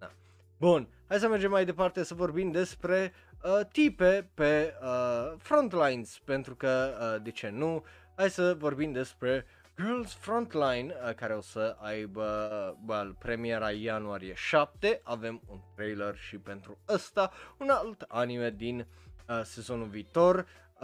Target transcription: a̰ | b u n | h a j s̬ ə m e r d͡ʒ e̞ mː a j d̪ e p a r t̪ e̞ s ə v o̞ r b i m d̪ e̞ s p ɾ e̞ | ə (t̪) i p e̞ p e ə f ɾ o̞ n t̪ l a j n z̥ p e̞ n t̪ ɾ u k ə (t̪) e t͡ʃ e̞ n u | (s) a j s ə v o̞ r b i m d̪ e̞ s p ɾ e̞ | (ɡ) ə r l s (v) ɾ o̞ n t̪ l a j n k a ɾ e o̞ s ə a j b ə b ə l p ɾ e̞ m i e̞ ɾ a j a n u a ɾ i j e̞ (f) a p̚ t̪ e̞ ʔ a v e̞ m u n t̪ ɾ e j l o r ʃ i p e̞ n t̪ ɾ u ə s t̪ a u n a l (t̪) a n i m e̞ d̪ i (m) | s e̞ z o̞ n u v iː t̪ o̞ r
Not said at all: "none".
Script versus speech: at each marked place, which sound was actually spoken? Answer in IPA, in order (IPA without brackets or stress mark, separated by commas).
t̪, d̪, h, ɡ, f, ʃ, t̪, n